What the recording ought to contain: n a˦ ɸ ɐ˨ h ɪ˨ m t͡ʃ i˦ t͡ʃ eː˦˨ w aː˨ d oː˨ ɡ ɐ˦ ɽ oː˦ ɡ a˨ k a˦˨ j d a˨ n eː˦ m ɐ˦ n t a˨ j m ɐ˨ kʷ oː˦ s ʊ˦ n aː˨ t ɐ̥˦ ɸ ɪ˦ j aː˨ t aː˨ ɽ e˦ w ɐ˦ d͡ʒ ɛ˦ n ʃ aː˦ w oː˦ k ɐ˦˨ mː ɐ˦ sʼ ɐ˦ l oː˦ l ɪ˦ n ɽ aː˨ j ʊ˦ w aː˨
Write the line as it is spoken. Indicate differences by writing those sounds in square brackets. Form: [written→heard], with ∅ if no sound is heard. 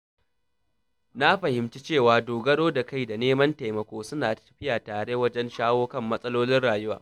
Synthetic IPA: n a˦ ɸ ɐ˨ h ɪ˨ m t͡ʃ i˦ t͡ʃ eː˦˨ w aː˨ d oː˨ ɡ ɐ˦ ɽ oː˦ [ɡ→d] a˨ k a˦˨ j d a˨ n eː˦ m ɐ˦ n t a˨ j m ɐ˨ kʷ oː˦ s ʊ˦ n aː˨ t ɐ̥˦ ɸ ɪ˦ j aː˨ t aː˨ ɽ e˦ w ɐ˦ d͡ʒ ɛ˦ n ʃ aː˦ w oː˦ k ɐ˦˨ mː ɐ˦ sʼ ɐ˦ l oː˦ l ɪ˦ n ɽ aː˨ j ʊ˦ w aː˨